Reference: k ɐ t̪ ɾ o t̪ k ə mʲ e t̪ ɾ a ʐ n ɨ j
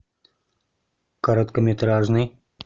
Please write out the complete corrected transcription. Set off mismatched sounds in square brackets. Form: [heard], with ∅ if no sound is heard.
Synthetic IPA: k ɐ [∅] ɾ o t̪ k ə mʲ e t̪ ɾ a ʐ n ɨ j